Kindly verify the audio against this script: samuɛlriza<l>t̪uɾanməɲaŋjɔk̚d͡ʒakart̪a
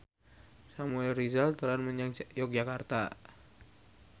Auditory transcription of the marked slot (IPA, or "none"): l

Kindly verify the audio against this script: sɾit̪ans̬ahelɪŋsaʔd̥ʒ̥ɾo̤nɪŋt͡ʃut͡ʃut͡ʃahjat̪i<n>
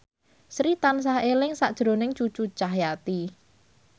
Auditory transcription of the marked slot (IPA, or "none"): none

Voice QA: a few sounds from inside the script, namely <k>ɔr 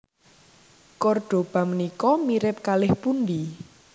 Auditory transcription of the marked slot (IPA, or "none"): k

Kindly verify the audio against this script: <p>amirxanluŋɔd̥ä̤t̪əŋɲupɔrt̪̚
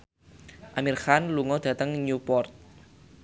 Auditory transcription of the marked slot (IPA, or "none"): ʔ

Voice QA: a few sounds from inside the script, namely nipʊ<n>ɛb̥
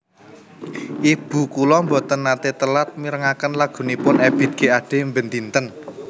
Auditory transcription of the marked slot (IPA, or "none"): n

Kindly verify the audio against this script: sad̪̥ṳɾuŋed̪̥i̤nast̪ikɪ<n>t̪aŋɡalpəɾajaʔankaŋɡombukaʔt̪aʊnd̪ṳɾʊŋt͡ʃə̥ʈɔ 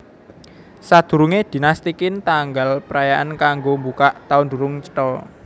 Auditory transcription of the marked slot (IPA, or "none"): n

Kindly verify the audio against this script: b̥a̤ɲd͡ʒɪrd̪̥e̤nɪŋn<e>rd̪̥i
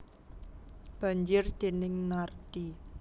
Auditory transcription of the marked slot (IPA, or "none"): a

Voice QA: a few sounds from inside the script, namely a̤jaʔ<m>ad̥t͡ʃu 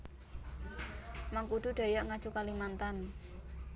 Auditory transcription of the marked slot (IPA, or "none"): ŋ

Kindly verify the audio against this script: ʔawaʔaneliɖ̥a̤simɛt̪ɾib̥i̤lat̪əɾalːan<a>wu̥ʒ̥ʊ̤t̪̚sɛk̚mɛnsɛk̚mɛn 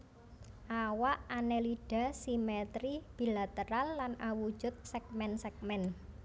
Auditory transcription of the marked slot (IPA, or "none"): a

